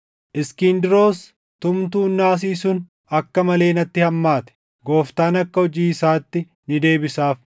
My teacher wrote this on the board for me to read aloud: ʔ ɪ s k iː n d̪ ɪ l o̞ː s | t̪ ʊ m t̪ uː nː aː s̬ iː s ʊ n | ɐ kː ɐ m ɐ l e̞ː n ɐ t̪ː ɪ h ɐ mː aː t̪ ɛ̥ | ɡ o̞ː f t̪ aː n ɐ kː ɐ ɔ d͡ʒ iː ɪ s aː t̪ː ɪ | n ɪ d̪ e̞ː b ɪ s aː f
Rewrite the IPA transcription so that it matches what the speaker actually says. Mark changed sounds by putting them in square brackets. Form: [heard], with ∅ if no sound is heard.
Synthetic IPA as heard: ʔ ɪ s k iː n d̪ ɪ [ɾ] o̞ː s | t̪ ʊ m t̪ uː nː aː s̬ iː s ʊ n | ɐ kː ɐ m ɐ l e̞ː n ɐ t̪ː ɪ h ɐ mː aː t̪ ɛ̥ | ɡ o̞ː f t̪ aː n ɐ kː ɐ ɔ d͡ʒ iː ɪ s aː t̪ː ɪ | n ɪ d̪ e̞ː b ɪ s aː f